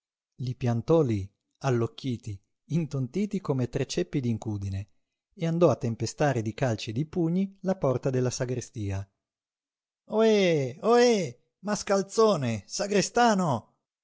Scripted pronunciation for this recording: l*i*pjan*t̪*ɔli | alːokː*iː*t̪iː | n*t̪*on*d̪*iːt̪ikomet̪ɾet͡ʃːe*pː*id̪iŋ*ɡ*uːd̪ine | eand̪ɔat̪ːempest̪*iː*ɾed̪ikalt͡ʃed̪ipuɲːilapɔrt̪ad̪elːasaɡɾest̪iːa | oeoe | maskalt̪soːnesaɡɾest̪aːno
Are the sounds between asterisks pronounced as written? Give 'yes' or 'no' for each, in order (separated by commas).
yes, yes, yes, yes, no, yes, no, no